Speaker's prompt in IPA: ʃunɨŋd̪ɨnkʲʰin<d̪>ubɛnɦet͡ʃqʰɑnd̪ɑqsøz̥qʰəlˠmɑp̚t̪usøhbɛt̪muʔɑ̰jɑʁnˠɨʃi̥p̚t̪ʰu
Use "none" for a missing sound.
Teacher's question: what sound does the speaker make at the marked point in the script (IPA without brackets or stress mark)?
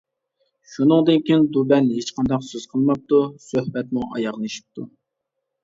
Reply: d̪